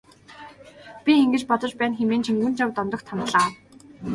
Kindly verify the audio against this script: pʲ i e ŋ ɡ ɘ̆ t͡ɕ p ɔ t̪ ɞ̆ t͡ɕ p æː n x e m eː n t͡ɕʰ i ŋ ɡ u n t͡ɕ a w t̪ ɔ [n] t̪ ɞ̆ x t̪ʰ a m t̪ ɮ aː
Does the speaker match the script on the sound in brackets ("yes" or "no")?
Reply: yes